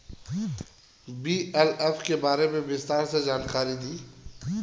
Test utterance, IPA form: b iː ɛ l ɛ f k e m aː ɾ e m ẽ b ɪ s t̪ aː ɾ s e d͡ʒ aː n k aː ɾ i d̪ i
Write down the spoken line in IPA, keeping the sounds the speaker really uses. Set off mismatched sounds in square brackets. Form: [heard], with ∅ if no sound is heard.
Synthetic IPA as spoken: b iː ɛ l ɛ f k e [b] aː ɾ e m ẽ b ɪ s t̪ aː ɾ s e d͡ʒ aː n k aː ɾ i d̪ [iː]